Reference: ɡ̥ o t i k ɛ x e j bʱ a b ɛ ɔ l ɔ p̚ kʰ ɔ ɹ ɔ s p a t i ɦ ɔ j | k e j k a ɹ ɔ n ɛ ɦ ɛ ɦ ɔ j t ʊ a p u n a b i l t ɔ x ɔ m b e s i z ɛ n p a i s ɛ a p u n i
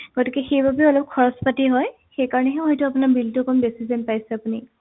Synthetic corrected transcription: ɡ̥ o t i k ɛ x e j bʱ a b ɛ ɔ l ɔ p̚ kʰ ɔ ɹ ɔ s p a t i ɦ ɔ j | x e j k a ɹ ɔ n ɛ ɦ ɛ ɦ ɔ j t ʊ a p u n a b i l t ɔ k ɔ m b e s i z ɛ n p a j s ɛ a p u n i